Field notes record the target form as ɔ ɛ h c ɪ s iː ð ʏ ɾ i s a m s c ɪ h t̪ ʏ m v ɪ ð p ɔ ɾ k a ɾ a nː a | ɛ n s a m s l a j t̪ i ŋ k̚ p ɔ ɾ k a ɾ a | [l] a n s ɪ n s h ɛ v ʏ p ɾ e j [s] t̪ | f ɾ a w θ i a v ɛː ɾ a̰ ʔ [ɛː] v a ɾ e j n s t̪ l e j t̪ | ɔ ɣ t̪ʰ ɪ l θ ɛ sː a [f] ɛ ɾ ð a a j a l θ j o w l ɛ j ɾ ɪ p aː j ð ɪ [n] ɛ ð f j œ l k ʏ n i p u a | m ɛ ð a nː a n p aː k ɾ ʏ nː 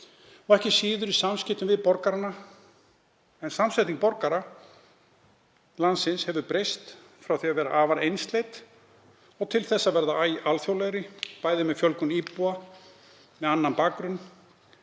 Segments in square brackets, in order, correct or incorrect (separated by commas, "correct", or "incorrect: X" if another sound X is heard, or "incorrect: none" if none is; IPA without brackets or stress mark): correct, correct, incorrect: aː, incorrect: v, incorrect: m